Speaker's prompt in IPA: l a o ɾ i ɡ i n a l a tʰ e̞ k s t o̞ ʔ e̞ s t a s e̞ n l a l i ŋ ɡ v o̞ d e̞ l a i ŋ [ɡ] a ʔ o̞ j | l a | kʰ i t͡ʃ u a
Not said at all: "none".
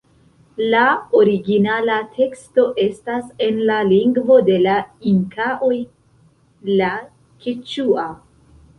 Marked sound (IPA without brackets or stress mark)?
k